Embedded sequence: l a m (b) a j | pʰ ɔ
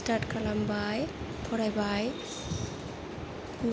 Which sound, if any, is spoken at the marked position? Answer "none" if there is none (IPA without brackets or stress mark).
b